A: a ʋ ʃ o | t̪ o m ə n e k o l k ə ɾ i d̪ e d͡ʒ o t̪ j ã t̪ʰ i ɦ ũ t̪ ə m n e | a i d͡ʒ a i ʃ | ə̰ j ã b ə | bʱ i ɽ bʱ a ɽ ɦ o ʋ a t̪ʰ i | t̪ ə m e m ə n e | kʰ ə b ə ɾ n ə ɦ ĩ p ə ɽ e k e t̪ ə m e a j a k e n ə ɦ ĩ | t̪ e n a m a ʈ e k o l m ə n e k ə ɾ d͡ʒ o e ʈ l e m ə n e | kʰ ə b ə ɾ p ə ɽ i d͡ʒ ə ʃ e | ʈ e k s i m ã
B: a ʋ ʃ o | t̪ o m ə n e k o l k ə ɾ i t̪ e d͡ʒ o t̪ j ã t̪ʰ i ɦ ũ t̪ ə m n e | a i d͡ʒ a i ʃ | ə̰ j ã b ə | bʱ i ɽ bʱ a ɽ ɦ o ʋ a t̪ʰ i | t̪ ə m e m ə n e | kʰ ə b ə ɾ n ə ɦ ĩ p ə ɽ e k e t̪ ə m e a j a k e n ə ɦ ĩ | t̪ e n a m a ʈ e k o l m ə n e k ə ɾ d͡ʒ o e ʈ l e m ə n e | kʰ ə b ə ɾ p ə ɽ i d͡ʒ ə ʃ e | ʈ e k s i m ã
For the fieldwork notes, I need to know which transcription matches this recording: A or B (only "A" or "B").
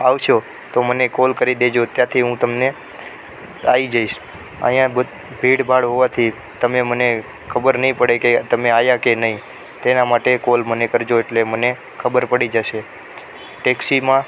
A